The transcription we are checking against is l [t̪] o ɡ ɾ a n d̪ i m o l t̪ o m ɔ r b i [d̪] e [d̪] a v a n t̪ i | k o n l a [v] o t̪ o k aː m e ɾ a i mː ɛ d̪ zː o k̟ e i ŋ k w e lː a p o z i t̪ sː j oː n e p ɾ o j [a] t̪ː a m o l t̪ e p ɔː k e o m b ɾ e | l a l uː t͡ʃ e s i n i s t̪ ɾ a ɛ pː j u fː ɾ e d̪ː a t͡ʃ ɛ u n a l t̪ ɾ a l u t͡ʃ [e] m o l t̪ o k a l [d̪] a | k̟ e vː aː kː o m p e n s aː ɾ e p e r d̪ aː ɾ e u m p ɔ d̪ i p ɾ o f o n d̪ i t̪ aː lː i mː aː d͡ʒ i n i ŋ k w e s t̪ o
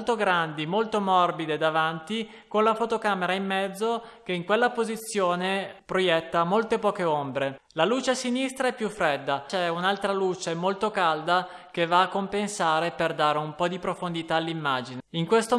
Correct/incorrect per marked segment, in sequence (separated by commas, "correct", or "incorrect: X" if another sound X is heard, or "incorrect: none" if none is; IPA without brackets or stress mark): correct, correct, correct, incorrect: f, incorrect: ɛ, correct, correct